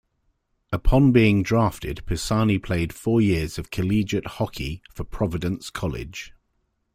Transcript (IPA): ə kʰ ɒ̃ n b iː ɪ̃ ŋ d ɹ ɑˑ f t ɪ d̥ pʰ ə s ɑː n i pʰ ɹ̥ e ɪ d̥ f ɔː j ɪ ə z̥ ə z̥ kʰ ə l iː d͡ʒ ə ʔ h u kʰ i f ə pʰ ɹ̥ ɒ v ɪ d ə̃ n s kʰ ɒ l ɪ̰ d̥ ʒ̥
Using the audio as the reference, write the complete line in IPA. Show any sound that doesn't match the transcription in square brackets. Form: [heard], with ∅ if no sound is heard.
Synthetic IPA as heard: ə [pʰ] ɒ̃ n b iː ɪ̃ ŋ d ɹ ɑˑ f t ɪ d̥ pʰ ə s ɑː n i pʰ [l̥] e ɪ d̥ f ɔː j ɪ ə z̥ ə [v̥] kʰ ə l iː d͡ʒ ə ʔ h [ɒ] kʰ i f ə pʰ ɹ̥ ɒ v ɪ d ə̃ n s kʰ ɒ l ɪ̰ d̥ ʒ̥